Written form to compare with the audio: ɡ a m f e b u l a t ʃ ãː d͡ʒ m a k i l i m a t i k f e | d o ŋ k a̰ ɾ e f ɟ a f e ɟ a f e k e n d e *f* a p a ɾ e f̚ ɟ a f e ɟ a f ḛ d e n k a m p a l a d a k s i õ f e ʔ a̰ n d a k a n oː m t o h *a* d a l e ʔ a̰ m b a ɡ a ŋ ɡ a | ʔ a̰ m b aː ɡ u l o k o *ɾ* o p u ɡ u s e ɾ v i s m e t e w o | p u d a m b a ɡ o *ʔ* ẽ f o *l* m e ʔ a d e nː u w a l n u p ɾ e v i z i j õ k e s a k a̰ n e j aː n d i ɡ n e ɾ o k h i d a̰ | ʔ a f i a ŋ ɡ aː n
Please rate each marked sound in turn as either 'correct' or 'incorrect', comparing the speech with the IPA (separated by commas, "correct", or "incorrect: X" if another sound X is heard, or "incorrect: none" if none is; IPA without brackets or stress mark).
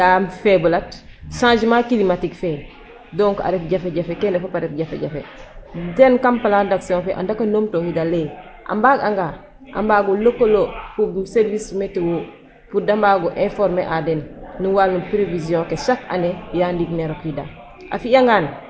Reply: correct, incorrect: i, incorrect: l, correct, incorrect: ɾ